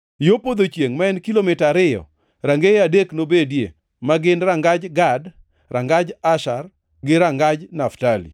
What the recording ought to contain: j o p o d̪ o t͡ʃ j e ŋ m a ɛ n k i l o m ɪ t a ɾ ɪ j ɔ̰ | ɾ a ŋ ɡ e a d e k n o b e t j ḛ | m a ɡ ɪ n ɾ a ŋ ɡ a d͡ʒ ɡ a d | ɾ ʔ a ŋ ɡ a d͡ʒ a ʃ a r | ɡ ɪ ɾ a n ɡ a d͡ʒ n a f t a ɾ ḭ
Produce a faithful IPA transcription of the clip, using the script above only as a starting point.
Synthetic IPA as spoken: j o p o d̪ o t͡ʃ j e ŋ m a ɛ n k i l o m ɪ t a ɾ ɪ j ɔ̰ | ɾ a ŋ ɡ e a d e k n o b e d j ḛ | m a ɡ ɪ n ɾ a ŋ ɡ a d͡ʒ ɡ a d | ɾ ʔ a ŋ ɡ a d͡ʒ a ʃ a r | ɡ ɪ ɾ a ŋ ɡ a d͡ʒ n a f t a l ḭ